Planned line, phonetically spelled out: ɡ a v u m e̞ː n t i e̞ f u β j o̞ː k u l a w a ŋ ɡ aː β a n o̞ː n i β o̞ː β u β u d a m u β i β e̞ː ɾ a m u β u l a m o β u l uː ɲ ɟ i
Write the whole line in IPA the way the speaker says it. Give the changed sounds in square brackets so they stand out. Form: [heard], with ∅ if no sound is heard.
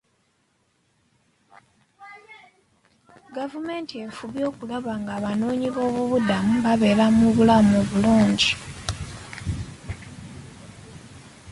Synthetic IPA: ɡ a v u m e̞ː n t i e̞ f u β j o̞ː k u l a [β] a ŋ ɡ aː β a n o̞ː [ɲ] i β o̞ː β u β u d a m u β [a] β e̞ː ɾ a m u β u l a m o β u l uː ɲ ɟ i